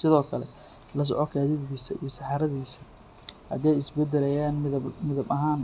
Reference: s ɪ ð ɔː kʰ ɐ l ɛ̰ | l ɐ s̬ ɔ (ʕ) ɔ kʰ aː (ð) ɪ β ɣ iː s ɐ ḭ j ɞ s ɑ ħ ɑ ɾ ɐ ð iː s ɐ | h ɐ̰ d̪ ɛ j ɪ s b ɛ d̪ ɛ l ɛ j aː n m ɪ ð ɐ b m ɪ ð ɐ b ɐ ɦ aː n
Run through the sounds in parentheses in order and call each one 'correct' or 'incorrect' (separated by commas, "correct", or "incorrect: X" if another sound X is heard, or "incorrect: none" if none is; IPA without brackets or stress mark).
correct, correct